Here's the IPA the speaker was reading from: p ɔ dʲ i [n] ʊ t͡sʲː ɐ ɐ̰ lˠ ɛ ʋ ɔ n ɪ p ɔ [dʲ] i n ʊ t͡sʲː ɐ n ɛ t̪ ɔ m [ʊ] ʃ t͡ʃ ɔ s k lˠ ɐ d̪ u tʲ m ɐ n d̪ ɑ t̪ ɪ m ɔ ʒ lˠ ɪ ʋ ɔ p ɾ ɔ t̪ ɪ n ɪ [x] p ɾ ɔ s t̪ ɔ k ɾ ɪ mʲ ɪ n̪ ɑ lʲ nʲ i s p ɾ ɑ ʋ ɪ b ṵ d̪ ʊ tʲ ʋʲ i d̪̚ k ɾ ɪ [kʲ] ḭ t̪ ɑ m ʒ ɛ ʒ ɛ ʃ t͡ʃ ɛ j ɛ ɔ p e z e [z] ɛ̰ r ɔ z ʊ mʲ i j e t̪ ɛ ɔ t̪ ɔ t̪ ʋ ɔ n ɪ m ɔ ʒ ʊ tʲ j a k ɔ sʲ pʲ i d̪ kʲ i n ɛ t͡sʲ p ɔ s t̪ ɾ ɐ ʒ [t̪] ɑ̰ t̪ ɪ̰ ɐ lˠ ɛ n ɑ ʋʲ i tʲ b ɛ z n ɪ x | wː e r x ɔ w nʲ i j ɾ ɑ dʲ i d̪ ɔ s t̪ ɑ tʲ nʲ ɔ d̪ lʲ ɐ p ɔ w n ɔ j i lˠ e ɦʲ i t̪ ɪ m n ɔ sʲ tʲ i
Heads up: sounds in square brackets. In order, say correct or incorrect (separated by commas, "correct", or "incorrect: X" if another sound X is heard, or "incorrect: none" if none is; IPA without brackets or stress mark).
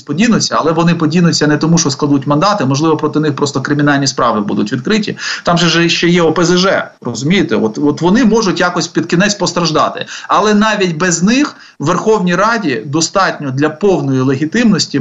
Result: correct, correct, incorrect: u, correct, incorrect: tʲ, incorrect: ʒ, incorrect: d̪